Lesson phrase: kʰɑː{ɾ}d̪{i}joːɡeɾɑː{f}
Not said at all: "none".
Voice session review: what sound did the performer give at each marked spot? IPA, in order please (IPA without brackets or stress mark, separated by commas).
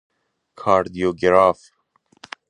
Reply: ɾ, i, f